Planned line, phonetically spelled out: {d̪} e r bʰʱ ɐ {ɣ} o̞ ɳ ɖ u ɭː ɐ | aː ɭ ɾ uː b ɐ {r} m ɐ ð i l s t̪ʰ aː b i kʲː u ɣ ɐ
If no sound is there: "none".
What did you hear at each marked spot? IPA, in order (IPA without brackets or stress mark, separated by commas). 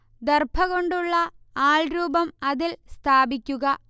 d̪, ɣ, none